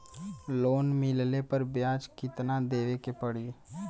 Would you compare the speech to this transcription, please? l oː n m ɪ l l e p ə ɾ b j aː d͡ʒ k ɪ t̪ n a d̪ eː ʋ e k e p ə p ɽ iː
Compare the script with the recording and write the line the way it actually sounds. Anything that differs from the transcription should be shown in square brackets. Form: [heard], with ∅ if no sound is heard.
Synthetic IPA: l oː n m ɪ l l e p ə ɾ b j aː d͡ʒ k ɪ t̪ n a d̪ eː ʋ e k e p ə [∅] ɽ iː